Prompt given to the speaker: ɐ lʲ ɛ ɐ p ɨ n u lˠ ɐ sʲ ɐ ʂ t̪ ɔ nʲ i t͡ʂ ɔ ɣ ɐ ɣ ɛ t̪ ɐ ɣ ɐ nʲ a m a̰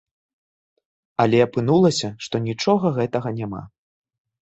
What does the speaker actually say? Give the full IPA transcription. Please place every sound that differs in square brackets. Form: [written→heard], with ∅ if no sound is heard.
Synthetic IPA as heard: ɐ lʲ ɛ ɐ p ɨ n u lˠ ɐ sʲ ɐ ʂ t̪ ɔ nʲ i t͡ʂ ɔ ɣ ɐ ɣ ɛ t̪ ɐ ɣ ɐ nʲ a m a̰